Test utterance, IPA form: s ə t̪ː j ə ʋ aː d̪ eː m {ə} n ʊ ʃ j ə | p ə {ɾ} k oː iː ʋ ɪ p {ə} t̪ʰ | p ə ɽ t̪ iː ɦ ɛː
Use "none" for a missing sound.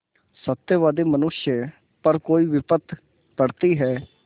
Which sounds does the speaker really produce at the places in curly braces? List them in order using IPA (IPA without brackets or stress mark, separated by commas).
ə, ɾ, ə